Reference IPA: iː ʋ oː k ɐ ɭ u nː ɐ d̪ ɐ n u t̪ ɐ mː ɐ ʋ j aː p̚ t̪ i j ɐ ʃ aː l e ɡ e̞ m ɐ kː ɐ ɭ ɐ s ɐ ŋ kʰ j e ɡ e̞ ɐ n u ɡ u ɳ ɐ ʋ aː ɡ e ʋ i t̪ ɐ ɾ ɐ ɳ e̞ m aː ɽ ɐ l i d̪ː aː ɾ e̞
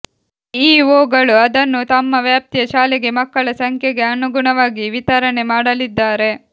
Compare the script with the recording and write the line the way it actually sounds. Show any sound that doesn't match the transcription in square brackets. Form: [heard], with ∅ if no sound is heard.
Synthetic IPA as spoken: iː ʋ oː [ɡ] ɐ ɭ u [∅] ɐ d̪ ɐ [nː] u t̪ ɐ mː ɐ ʋ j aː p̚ t̪ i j ɐ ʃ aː l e ɡ e̞ m ɐ kː ɐ ɭ ɐ s ɐ ŋ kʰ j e ɡ e̞ ɐ n u ɡ u ɳ ɐ ʋ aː ɡ [i] ʋ i t̪ ɐ ɾ ɐ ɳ e̞ m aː ɽ ɐ l i d̪ː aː ɾ e̞